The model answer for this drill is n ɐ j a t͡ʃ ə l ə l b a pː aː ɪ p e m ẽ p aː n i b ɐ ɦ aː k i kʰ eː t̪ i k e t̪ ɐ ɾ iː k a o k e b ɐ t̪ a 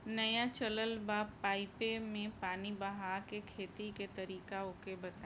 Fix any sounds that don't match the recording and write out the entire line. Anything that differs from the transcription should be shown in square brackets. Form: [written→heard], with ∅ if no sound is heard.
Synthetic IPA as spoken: n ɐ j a t͡ʃ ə l ə l b a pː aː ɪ p e m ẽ p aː n i b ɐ ɦ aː k [i→e] kʰ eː t̪ i k e t̪ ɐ ɾ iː k a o k e b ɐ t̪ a